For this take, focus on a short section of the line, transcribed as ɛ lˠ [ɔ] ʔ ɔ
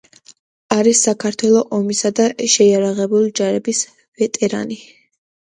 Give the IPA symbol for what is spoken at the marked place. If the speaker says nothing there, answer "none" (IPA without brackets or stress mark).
ɔ